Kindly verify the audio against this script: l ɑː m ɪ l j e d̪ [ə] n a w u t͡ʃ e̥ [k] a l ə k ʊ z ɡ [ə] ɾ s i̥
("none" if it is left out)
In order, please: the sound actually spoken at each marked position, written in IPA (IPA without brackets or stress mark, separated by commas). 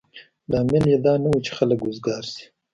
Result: ɑ, x, ɑ